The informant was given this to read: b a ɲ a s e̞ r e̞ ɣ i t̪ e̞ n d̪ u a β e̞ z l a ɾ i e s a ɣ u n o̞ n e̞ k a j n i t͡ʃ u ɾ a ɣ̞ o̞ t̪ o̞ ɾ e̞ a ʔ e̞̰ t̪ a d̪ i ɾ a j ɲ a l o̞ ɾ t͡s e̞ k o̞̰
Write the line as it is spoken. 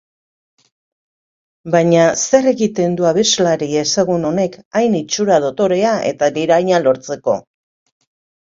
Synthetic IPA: b a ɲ a s e̞ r e̞ ɣ i t̪ e̞ n d̪ u a β e̞ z l a ɾ i e s a ɣ u n o̞ n e̞ k a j n i t͡ʃ u ɾ a ð̞ o̞ t̪ o̞ ɾ e̞ a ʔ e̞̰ t̪ a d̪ i ɾ a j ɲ a l o̞ ɾ t͡s e̞ k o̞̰